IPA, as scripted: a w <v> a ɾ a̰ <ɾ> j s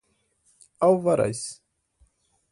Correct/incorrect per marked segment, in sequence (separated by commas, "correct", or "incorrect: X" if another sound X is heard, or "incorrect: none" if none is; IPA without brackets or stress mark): correct, incorrect: none